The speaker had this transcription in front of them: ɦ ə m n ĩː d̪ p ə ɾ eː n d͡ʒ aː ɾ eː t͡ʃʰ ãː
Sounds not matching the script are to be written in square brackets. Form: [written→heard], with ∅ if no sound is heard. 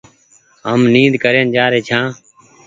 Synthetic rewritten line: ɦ ə m n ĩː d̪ [p→k] ə ɾ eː n d͡ʒ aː ɾ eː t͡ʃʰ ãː